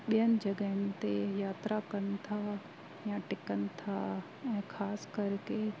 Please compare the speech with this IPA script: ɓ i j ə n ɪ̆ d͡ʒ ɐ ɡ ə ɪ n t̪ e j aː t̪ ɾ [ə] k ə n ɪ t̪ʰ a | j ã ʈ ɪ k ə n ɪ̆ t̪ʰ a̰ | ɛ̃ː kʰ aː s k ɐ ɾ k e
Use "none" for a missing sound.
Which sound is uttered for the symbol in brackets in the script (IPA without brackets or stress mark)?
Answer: a